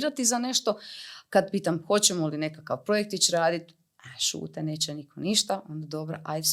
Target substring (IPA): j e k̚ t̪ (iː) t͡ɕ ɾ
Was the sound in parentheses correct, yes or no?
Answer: no